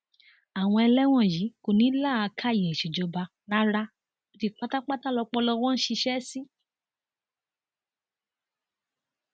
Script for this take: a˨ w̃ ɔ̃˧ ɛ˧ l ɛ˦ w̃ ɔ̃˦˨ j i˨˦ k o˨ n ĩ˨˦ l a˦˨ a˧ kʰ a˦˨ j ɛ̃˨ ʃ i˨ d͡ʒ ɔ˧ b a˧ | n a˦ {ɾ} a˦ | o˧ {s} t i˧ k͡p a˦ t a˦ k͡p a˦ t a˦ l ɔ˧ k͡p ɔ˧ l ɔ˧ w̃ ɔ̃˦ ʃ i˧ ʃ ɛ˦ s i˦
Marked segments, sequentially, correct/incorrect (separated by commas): correct, incorrect